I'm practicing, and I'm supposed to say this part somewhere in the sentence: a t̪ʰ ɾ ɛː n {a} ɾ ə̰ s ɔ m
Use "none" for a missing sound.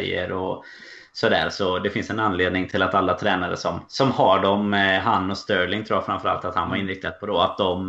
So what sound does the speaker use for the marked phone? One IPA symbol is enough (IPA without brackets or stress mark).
a